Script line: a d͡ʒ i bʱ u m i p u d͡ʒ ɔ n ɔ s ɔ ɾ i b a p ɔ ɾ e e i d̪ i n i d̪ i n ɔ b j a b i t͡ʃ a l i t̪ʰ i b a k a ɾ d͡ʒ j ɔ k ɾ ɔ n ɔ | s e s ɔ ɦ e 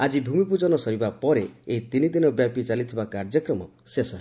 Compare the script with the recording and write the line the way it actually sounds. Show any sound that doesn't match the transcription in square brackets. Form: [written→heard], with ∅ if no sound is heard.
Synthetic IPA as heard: a d͡ʒ i bʱ u m i p u d͡ʒ ɔ n ɔ s ɔ ɾ i b a p ɔ ɾ e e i [d̪→t̪] i n i d̪ i n ɔ b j a [b→p] i t͡ʃ a l i t̪ʰ i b a k a ɾ d͡ʒ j ɔ k ɾ ɔ [n→m] ɔ | s e s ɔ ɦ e